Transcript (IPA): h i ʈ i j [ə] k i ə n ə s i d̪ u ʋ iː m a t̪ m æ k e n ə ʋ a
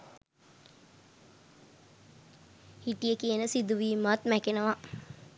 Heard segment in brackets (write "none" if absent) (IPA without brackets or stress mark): ə